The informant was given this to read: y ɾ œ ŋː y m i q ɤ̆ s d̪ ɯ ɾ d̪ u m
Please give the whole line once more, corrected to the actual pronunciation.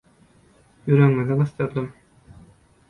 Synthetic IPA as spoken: y ɾ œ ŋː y n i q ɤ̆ s t̪ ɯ ɾ d̪ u m

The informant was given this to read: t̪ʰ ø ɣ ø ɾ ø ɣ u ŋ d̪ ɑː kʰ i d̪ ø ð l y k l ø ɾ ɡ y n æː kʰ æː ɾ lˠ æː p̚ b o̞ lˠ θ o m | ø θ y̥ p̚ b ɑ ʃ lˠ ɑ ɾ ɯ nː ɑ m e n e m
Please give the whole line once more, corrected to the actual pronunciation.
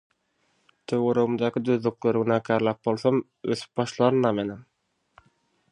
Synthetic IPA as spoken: t̪ʰ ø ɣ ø ɾ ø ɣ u m d̪ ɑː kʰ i d̪ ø ð l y k l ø ɾ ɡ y n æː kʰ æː ɾ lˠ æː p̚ b o̞ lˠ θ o m | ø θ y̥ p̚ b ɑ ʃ lˠ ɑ ɾ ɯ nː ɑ m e n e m

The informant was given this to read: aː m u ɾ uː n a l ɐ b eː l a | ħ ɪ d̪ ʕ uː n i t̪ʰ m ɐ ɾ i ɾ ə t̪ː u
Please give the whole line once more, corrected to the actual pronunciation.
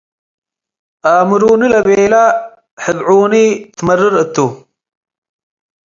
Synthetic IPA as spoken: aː m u ɾ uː n i l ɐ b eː l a | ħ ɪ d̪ ʕ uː n i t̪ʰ m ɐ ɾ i ɾ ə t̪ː u

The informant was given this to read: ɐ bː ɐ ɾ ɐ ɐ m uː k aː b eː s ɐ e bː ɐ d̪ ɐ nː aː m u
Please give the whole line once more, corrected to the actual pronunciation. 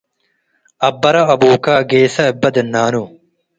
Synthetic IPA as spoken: ɐ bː ɐ ɾ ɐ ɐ b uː k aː ɡ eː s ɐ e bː ɐ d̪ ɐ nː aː n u

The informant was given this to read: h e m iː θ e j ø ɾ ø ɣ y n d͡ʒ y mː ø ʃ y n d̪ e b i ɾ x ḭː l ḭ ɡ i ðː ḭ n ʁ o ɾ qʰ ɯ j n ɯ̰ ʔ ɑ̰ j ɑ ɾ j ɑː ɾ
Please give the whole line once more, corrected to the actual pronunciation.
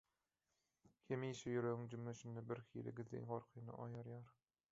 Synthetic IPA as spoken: h e m iː ʃ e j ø ɾ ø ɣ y ŋ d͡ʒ y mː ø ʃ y n d̪ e b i ɾ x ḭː l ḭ ɡ i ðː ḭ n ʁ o ɾ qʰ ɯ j n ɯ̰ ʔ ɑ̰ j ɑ ɾ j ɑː ɾ

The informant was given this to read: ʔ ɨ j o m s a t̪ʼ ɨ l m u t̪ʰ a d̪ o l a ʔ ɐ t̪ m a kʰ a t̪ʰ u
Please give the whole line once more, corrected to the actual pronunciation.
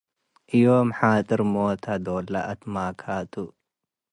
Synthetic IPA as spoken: ʔ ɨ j o m ħ a t̪ʼ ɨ ɾ m o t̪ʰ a d̪ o l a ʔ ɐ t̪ m a kʰ a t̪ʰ u

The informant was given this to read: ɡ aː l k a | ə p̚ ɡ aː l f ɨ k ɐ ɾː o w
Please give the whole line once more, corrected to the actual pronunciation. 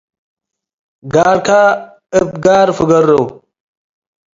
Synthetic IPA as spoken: ɡ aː ɾ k a | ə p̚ ɡ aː ɾ f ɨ ɡ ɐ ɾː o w

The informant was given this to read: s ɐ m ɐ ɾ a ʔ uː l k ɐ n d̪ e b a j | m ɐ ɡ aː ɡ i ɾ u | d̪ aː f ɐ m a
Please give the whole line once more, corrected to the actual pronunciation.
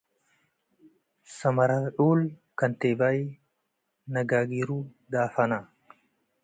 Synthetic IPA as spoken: s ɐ m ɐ ɾ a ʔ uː l k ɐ n t̪ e b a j | n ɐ ɡ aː ɡ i ɾ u | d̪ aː f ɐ n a

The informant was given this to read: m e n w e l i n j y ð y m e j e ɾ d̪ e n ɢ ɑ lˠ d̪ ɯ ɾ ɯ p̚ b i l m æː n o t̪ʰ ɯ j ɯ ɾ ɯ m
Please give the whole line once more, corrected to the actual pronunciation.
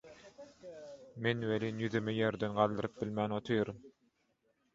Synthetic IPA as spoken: m e n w e l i n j y ð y m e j e ɾ d̪ e n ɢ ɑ lˠ d̪ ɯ ɾ ɯ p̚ b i l m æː n o t̪ʰ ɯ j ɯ ɾ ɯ m

